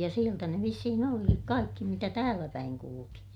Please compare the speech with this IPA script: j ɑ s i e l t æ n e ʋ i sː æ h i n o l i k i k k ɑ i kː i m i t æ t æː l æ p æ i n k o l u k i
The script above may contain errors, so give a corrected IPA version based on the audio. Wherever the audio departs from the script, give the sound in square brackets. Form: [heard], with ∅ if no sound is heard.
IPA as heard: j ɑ s i e l t æ n e ʋ i sː [i] h i n o l i k i k k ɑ i kː i m i t æ t æː l æ p æ i [ŋ] k [u] l u k i